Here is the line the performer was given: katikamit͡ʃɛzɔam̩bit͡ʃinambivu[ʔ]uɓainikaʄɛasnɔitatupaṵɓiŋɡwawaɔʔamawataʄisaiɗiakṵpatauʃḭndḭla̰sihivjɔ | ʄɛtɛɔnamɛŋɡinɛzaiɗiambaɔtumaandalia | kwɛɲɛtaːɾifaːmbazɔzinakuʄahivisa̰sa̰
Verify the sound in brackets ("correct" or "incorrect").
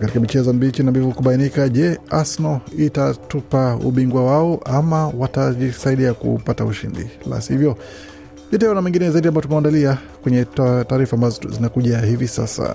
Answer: incorrect